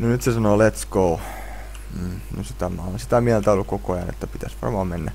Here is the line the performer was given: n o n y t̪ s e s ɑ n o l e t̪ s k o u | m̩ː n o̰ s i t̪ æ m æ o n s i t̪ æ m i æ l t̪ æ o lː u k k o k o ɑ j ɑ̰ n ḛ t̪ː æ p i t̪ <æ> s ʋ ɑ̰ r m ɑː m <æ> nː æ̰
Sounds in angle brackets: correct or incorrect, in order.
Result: correct, incorrect: e

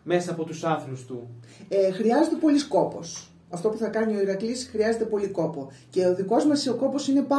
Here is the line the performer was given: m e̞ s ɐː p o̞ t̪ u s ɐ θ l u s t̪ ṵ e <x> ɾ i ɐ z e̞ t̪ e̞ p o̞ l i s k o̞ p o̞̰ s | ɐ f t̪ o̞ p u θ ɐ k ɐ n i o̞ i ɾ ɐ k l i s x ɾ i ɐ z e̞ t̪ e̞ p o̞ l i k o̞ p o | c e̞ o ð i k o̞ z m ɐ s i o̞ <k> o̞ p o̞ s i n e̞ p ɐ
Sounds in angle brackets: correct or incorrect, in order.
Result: correct, correct

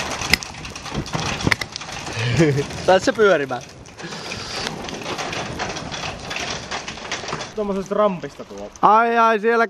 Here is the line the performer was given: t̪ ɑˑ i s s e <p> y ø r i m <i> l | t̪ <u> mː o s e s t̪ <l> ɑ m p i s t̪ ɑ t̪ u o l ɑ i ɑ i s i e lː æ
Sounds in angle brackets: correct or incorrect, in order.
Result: correct, incorrect: æ, incorrect: o, incorrect: r

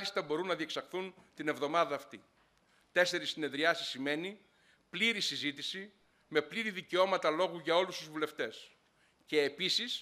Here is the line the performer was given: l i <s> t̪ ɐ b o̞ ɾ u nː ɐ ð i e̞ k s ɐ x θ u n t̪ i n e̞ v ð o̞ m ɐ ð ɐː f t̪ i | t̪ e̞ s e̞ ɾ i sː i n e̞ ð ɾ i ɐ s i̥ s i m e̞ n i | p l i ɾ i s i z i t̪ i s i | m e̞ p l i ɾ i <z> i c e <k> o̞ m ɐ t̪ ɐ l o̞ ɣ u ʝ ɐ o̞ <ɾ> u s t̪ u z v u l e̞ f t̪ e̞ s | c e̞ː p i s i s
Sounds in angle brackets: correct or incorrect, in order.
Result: correct, incorrect: ð, incorrect: none, incorrect: l

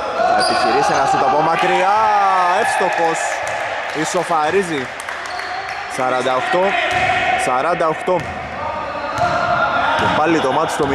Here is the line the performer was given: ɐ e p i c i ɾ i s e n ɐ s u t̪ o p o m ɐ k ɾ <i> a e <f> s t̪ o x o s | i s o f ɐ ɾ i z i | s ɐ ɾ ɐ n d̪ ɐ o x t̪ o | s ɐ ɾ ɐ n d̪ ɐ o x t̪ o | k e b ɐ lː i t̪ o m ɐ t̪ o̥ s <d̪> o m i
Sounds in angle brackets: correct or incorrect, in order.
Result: correct, correct, incorrect: t̪

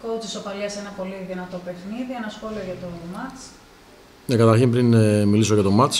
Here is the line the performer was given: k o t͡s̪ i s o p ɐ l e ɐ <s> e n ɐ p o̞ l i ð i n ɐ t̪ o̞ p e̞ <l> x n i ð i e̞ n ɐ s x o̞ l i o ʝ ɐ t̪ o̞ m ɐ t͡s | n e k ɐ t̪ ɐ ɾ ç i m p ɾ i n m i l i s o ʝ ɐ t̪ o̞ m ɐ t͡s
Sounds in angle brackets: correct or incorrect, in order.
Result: correct, incorrect: none

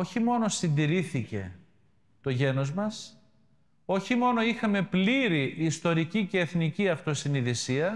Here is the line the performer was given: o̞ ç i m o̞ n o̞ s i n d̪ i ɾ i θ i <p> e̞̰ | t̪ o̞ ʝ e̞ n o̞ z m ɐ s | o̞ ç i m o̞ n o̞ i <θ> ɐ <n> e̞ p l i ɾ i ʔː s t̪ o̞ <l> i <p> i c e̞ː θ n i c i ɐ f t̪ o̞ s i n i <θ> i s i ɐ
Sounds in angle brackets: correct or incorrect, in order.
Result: incorrect: c, incorrect: x, incorrect: m, incorrect: ɾ, incorrect: c, incorrect: ð

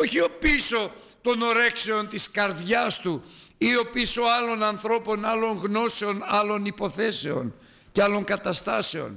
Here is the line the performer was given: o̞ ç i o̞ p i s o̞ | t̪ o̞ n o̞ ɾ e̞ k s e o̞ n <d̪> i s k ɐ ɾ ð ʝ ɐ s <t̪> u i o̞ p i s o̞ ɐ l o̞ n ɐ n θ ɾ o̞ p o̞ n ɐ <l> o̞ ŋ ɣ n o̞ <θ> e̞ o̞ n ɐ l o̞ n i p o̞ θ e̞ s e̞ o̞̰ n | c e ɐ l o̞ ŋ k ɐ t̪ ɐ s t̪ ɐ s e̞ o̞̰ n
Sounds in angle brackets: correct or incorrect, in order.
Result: incorrect: t̪, correct, correct, incorrect: s

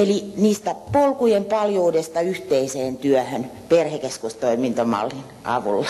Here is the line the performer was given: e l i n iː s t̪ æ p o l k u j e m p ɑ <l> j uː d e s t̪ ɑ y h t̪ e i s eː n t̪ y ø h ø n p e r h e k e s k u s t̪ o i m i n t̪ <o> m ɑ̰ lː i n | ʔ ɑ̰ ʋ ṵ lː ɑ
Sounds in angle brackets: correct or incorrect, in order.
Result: correct, correct

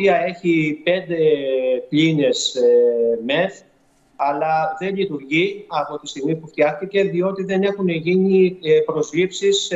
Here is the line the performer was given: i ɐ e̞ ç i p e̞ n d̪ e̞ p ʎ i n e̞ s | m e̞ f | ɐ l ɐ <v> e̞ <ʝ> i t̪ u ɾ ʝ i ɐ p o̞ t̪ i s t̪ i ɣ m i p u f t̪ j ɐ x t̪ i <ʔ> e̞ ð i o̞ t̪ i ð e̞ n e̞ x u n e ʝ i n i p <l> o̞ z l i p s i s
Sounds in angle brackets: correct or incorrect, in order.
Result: incorrect: ð, incorrect: ʎ, incorrect: c, incorrect: ɾ

